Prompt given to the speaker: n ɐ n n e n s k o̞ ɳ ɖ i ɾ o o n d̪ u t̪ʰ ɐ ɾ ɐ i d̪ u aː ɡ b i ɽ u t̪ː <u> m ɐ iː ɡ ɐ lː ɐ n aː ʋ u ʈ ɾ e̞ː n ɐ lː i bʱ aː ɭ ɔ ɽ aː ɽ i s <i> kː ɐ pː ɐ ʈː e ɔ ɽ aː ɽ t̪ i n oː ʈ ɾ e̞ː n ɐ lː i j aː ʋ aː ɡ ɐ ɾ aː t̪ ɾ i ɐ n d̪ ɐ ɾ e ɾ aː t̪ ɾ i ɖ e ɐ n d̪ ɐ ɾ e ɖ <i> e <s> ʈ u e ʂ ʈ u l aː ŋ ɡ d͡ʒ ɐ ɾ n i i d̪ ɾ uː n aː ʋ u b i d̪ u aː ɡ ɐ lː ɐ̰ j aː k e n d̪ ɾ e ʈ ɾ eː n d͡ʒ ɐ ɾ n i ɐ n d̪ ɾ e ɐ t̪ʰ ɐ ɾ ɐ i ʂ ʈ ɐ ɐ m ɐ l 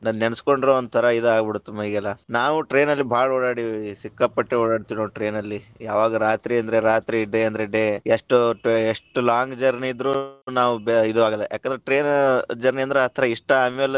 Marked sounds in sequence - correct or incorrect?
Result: correct, correct, incorrect: e, incorrect: ʂ

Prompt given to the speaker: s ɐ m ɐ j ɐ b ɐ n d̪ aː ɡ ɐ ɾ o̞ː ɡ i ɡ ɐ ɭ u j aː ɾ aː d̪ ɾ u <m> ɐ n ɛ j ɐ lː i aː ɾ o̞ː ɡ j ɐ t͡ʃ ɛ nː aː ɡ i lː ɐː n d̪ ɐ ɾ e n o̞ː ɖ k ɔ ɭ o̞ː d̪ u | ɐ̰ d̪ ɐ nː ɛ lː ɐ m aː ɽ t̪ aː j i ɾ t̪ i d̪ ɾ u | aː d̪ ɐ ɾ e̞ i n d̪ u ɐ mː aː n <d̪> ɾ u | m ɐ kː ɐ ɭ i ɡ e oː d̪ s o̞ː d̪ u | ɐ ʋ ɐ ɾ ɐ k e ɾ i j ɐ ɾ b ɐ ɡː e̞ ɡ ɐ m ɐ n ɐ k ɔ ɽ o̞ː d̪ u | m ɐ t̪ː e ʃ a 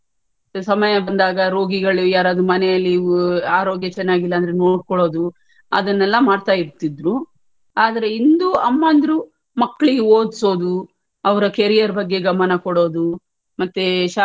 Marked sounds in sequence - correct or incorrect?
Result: correct, correct

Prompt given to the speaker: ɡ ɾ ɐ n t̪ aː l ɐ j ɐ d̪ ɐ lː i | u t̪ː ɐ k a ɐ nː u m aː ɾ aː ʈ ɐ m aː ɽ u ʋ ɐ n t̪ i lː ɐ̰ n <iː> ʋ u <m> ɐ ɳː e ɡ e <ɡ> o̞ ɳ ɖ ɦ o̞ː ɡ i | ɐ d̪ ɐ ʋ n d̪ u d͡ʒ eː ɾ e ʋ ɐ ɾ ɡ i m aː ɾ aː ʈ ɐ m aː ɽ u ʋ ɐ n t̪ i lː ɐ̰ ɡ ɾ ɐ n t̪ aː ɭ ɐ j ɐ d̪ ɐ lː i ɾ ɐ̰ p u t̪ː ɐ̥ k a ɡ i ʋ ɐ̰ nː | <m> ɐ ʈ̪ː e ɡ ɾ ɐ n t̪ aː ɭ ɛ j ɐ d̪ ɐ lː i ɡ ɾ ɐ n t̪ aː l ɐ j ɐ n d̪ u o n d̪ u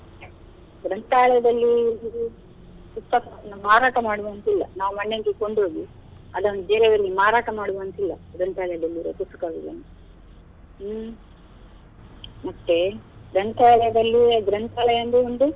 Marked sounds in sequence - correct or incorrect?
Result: incorrect: aː, correct, incorrect: k, correct

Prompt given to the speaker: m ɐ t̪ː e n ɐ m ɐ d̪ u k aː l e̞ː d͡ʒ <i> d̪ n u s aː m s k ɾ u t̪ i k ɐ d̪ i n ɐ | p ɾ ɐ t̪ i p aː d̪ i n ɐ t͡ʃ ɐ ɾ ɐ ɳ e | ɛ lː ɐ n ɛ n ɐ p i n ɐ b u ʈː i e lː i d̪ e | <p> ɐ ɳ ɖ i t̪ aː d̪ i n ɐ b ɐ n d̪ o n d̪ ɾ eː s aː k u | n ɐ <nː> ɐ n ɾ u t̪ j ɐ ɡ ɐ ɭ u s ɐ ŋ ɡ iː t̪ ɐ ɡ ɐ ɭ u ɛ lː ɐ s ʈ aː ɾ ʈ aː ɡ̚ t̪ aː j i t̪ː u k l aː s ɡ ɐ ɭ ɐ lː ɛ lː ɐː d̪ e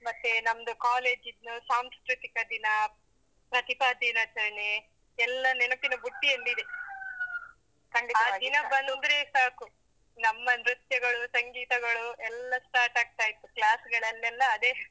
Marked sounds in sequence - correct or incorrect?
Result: correct, incorrect: k, incorrect: mː

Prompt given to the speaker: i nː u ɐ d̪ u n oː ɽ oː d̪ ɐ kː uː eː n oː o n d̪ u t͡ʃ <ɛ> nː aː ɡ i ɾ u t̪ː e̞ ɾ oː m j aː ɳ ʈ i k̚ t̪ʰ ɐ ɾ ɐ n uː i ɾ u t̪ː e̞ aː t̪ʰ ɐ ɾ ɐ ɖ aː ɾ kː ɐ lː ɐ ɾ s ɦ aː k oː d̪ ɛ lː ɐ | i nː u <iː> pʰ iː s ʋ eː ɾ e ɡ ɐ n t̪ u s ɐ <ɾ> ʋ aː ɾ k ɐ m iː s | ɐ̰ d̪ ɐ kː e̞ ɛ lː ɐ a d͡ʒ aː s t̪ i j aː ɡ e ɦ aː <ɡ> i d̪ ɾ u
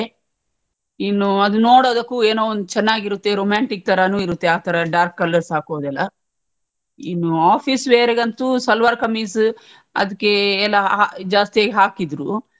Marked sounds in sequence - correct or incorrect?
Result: correct, incorrect: aː, incorrect: l, incorrect: k

